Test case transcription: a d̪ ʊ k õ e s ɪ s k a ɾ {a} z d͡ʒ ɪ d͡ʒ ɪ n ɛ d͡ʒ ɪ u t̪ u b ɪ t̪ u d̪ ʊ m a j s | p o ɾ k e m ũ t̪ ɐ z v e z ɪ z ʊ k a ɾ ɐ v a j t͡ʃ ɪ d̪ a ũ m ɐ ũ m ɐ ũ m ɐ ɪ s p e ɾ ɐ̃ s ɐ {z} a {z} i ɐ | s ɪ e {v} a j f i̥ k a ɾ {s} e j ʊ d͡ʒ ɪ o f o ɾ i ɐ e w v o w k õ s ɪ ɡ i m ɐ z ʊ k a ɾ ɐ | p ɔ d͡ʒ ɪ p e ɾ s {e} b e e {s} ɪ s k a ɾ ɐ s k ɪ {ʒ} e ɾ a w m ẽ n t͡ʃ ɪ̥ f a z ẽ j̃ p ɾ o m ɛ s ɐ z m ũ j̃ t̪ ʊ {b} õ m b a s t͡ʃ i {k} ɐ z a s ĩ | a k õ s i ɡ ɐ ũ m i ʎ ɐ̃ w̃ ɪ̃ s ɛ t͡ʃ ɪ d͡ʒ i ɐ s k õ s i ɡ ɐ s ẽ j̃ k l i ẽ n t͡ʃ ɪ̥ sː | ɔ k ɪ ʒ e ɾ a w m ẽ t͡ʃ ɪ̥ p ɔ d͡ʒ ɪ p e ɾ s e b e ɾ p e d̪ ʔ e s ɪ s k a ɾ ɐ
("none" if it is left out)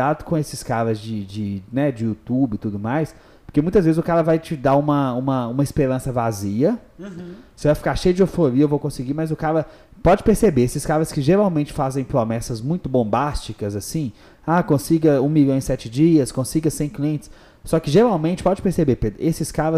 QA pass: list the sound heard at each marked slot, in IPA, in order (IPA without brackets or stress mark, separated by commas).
ɐ, v, z, v, ʃ, e, s, ʒ, b, k